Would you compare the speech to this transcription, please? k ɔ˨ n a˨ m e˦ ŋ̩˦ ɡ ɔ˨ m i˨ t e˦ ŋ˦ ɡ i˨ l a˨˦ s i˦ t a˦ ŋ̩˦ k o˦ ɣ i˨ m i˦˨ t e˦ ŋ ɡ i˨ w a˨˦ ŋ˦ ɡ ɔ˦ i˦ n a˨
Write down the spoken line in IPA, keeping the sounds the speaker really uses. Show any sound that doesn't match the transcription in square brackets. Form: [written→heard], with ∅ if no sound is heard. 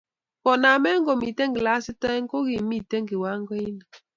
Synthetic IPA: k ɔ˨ n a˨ m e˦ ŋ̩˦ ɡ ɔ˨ m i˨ t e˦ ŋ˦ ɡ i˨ l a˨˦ s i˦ t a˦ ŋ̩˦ k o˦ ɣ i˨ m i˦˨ t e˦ ŋ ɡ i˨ w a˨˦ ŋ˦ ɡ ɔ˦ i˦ n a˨